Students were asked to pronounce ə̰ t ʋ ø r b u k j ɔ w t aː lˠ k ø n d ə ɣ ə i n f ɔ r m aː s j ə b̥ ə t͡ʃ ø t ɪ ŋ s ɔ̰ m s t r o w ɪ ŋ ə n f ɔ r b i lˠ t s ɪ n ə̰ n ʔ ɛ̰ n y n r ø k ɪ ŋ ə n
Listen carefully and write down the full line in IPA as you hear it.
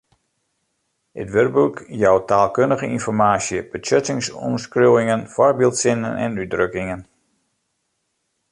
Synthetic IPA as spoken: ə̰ t ʋ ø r b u k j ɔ w t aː lˠ k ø n d ə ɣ ə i n f ɔ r m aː s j ə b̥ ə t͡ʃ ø t ɪ ŋ s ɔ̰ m s k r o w ɪ ŋ ə n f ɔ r b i lˠ t s ɪ n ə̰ n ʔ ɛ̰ n y d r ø k ɪ ŋ ə n

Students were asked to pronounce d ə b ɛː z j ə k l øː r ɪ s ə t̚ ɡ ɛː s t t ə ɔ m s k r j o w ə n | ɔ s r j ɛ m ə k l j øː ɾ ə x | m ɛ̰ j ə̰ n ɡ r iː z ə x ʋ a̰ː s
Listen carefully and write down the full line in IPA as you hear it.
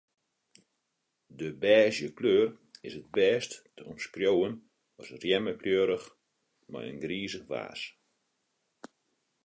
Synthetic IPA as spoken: d ə b ɛː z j ə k l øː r ɪ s ə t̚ b ɛː s t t ə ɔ m s k r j o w ə n | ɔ s r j ɛ m ə k l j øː ɾ ə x | m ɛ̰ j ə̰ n ɡ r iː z ə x ʋ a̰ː s

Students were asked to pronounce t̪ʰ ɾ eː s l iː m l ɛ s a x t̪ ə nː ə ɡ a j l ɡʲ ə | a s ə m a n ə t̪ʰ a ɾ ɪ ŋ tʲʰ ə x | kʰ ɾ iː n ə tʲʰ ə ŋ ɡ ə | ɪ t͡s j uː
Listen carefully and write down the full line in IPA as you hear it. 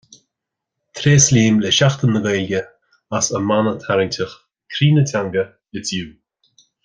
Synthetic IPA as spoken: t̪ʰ ɾ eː s l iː m l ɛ ʃ a x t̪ ə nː ə ɡ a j l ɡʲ ə | a s ə m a n ə t̪ʰ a ɾ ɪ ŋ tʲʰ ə x | kʰ ɾ iː n ə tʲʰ a ŋ ɡ ə | ɪ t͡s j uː

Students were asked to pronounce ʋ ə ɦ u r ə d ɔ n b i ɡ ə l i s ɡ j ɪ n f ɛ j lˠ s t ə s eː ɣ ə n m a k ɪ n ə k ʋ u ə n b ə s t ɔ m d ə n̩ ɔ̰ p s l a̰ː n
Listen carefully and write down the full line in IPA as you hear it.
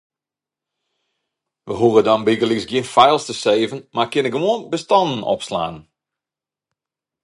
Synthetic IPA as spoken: ʋ ə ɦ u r ə d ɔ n b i ɡ ə l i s ɡ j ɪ n f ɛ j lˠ s t ə s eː v ə n m a k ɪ n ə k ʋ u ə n b ə s t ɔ n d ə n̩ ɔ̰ p s l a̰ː n

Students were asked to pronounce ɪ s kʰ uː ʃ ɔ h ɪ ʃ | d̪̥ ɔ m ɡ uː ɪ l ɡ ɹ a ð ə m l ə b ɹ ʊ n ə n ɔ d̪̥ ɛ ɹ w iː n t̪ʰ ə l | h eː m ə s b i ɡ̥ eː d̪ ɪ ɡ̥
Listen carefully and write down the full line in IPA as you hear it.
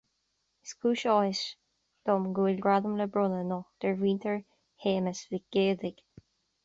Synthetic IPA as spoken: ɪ s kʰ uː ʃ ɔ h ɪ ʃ | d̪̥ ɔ m ɡ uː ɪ l ɡ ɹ a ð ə m l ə b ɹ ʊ n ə n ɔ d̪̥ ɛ ɹ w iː n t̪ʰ ə ɹ | h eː m ə s v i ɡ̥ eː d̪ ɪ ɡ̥

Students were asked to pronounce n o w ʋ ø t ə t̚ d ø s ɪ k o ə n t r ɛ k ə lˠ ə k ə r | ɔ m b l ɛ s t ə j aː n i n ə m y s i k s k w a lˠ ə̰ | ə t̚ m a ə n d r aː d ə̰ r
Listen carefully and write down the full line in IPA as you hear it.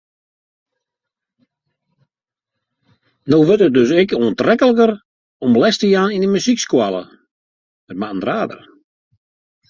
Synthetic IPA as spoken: n o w ʋ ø t ə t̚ d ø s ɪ k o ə n t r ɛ k ə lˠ ə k ə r | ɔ m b l ɛ s t ə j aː n i n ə m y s i k s k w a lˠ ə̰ | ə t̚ m a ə n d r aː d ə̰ r

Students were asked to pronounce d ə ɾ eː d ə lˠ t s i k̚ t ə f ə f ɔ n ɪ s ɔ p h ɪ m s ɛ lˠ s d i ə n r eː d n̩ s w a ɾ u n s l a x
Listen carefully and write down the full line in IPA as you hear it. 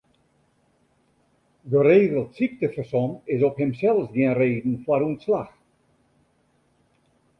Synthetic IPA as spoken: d ə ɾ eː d ə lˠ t s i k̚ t ə f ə s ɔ n ɪ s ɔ p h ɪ m s ɛ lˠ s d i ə n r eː d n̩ f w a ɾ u n s l a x

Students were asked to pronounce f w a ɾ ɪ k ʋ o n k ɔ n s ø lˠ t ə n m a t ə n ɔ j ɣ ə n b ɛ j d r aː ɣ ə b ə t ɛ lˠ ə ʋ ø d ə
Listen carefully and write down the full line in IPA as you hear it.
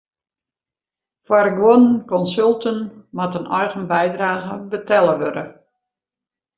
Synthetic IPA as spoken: f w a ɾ ɪ k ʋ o n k ɔ n s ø lˠ t ə n m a t ə n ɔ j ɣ ə n b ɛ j d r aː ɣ ə b ə t ɛ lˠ ə ʋ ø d ə

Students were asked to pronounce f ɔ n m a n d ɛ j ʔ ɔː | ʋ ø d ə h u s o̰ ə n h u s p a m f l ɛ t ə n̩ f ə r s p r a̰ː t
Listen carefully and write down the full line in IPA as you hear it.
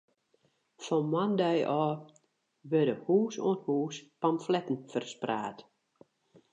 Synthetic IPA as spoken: f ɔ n m a n d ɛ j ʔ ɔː | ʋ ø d ə h uː s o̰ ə n h uː s p a m f l ɛ t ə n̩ f ə r s p r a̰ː t

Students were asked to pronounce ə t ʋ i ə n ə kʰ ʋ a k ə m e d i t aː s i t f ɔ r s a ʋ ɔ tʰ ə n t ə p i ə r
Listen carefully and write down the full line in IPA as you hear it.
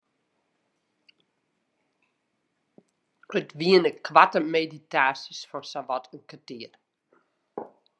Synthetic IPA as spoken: ə t ʋ i ə n ə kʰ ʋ a t ə m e d i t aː s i s f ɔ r s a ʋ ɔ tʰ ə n k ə t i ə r

